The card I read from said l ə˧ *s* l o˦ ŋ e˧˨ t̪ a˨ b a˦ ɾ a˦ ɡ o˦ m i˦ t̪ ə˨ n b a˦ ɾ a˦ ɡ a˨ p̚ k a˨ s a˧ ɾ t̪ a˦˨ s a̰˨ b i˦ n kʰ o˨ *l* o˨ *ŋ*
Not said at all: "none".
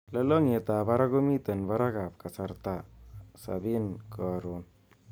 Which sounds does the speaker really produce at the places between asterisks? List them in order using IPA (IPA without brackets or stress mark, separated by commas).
none, ɾ, n